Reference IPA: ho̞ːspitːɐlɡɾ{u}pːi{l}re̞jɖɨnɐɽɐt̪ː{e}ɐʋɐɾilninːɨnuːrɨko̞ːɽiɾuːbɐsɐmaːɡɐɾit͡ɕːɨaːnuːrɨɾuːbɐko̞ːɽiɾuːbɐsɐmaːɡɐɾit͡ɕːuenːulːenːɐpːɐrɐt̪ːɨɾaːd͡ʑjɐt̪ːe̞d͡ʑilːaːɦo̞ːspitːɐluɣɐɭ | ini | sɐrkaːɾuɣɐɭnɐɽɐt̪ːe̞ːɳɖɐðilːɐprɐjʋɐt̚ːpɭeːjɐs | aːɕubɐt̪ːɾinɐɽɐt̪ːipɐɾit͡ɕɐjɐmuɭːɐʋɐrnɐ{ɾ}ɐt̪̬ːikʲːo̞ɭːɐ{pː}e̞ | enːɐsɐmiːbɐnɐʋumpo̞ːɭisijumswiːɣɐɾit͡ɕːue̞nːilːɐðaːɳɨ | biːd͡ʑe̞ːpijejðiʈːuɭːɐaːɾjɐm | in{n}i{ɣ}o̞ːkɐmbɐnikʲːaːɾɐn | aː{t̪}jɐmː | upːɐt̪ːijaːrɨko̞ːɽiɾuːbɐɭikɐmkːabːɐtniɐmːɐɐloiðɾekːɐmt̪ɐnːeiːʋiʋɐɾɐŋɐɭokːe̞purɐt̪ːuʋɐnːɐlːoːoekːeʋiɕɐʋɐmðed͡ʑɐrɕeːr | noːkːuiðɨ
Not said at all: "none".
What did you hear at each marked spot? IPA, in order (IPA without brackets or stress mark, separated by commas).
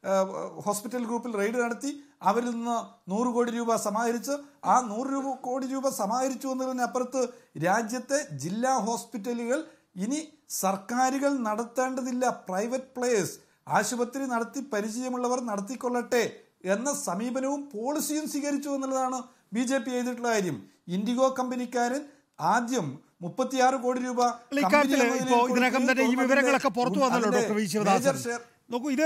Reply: uː, l, i, ɽ, ʈː, d, ɣ, d̪